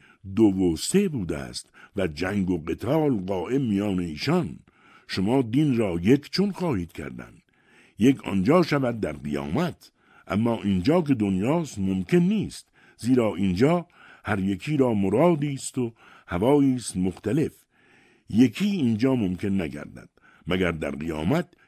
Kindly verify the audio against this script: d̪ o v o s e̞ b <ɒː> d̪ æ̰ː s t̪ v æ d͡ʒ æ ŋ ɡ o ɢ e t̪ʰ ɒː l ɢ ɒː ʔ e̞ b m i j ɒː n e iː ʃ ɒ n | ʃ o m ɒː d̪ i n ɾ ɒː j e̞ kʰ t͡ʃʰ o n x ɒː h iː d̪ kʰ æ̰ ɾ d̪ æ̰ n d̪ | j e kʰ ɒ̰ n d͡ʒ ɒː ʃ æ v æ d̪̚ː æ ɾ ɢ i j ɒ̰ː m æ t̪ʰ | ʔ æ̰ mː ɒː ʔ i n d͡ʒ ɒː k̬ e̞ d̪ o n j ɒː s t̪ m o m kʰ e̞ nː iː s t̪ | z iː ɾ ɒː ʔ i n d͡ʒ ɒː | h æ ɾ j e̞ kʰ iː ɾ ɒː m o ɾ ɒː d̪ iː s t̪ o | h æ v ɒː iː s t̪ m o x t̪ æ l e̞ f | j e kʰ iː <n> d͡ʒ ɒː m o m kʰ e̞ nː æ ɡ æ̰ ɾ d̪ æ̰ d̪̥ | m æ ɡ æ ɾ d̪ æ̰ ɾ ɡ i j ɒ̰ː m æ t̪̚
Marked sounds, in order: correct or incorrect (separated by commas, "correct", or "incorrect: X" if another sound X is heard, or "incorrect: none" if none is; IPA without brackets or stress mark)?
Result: incorrect: uː, correct